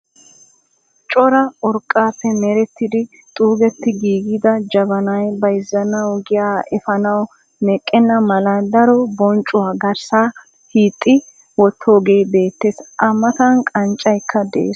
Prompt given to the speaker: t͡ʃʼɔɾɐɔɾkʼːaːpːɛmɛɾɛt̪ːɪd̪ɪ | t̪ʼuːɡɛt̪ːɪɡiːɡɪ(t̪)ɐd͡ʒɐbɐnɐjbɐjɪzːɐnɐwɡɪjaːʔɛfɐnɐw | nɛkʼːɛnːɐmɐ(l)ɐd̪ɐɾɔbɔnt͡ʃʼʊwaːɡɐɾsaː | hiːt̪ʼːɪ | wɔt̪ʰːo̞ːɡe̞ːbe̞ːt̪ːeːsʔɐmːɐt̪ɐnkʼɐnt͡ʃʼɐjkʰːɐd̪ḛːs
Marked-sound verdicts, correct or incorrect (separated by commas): incorrect, correct